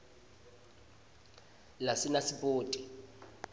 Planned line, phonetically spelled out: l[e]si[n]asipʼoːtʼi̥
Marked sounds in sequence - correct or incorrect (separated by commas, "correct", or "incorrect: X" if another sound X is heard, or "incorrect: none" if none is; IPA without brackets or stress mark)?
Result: incorrect: a, correct